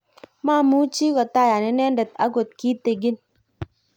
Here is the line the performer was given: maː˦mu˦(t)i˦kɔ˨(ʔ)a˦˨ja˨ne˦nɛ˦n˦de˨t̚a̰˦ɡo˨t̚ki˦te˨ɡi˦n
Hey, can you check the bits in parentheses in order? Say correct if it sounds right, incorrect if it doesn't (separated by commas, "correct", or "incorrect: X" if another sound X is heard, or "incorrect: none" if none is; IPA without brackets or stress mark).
incorrect: t͡ʃ, incorrect: t